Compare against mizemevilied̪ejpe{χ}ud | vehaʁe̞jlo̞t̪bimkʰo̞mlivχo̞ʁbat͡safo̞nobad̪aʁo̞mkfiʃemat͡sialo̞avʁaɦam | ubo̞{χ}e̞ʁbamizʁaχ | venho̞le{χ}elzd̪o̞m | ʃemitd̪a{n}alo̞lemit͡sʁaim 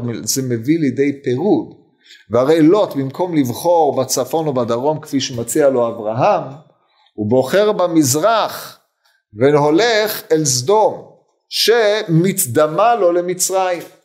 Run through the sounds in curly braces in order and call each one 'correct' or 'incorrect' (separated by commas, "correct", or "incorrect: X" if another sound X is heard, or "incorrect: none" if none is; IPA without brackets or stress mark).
incorrect: ʁ, correct, correct, incorrect: m